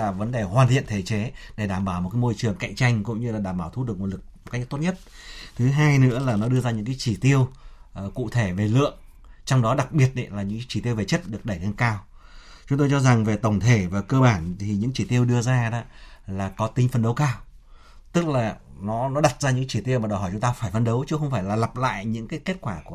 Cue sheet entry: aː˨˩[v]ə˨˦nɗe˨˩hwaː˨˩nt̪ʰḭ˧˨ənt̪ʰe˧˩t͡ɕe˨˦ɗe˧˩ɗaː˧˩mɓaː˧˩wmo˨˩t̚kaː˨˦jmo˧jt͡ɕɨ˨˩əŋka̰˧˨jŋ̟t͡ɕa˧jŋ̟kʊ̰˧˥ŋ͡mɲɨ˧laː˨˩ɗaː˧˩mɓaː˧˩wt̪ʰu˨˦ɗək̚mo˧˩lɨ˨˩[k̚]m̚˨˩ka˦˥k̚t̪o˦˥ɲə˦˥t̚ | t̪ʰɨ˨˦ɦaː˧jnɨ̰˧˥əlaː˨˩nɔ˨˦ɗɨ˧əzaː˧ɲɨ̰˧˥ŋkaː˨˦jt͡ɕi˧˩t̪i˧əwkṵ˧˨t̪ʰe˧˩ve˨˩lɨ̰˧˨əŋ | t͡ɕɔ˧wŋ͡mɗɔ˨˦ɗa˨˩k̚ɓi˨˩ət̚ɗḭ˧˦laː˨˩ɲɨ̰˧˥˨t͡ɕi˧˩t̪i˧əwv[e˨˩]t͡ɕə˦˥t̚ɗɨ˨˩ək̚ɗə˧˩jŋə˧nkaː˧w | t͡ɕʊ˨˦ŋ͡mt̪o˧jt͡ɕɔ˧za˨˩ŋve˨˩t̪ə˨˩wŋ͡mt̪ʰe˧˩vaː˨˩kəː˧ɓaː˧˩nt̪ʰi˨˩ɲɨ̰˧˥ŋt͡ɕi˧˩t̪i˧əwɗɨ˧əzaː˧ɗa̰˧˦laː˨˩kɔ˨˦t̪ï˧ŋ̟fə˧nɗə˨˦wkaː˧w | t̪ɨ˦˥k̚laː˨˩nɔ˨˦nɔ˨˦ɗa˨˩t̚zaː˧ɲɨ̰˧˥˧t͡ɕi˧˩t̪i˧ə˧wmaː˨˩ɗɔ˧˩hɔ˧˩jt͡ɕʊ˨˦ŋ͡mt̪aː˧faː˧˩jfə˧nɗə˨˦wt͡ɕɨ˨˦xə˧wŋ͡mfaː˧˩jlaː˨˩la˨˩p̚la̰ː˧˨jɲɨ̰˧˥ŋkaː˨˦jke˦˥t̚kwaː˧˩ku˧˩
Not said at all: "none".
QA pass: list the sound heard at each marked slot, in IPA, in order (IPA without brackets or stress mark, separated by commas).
v, k̚, e˨˩